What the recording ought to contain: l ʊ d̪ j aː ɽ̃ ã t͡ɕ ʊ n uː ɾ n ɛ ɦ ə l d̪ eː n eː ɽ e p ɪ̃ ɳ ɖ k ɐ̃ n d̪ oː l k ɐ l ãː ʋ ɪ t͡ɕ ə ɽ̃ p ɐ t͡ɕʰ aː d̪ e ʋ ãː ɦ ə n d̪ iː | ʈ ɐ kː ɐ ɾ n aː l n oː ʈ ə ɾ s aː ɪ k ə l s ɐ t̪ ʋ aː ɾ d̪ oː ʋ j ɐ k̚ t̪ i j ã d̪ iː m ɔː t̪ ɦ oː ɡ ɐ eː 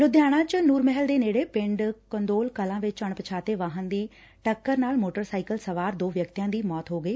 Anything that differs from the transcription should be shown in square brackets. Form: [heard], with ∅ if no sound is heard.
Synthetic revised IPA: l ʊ d̪ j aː ɽ̃ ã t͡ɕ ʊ n uː ɾ [m] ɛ ɦ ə l d̪ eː n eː ɽ e p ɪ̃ ɳ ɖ k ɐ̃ n d̪ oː l k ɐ l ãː ʋ ɪ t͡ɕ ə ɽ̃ p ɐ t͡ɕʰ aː [t̪] e ʋ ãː ɦ ə n d̪ iː | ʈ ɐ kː [ə] ɾ n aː l [m] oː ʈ ə ɾ s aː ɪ k ə l s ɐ [∅] ʋ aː ɾ d̪ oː ʋ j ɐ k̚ t̪ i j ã d̪ iː m ɔː t̪ ɦ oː ɡ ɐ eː